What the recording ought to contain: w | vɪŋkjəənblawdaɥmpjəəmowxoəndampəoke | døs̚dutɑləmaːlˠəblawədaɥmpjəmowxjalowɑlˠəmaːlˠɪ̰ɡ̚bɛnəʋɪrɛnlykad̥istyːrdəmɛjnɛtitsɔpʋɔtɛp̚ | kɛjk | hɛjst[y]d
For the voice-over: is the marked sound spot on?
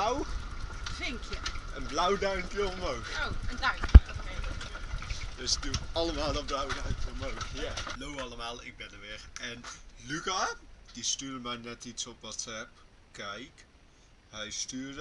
no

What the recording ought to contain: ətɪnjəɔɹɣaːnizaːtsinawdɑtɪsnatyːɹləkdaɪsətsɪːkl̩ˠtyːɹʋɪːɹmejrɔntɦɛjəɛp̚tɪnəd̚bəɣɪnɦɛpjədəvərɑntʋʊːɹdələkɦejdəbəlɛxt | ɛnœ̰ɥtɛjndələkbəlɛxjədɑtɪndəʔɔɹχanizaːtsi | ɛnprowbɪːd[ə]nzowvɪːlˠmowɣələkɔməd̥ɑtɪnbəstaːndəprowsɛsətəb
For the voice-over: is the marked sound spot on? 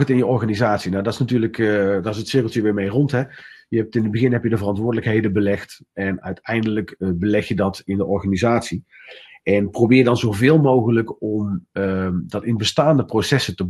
no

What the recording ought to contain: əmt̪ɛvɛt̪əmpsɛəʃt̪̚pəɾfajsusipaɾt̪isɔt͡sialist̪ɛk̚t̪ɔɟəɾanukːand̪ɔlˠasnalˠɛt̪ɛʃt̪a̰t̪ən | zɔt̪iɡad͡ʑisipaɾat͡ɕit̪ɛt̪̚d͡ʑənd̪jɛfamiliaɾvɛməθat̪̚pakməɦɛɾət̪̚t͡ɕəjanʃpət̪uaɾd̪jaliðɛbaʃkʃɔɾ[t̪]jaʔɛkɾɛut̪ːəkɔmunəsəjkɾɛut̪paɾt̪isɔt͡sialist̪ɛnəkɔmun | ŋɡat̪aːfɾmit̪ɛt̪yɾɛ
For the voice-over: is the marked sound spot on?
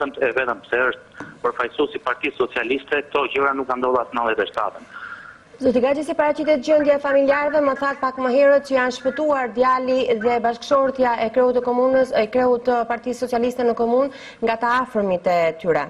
yes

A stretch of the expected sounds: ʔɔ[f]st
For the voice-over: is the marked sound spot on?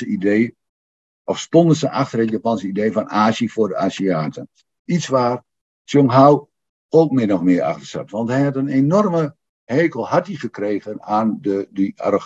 yes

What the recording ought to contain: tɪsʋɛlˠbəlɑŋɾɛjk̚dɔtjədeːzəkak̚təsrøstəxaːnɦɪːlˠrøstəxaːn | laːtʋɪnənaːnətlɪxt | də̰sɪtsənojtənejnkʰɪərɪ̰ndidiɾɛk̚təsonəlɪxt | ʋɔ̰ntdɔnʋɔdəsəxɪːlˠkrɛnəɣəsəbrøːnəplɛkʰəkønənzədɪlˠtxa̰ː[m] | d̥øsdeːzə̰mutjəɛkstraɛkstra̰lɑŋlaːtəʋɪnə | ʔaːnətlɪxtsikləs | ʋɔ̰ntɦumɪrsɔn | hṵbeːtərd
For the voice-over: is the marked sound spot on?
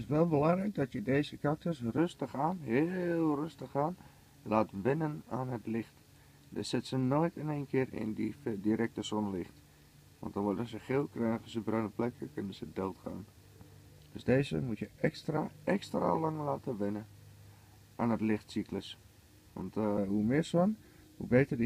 no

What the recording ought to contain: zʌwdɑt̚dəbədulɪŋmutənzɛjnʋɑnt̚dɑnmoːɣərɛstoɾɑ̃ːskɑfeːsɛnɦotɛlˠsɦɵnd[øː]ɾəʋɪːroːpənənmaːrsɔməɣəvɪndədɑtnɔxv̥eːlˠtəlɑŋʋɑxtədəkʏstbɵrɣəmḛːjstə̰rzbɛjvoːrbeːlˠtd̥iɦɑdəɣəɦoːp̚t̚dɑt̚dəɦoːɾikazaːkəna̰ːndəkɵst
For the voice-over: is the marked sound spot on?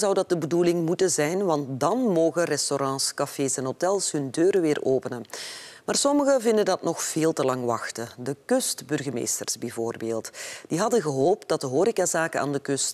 yes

